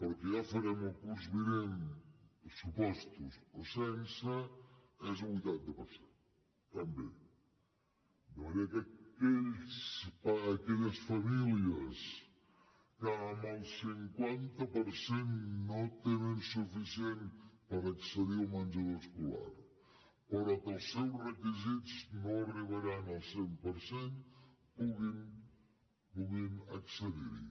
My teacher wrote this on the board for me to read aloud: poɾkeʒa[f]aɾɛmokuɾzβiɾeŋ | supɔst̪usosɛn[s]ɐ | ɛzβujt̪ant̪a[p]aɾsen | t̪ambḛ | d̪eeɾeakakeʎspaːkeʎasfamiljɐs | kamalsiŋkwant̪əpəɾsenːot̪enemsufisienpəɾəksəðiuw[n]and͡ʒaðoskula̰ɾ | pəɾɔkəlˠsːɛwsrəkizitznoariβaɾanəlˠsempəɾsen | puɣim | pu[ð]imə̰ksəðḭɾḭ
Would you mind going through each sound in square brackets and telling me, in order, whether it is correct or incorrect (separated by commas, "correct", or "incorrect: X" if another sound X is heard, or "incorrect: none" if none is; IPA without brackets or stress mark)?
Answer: correct, correct, correct, incorrect: m, incorrect: ɣ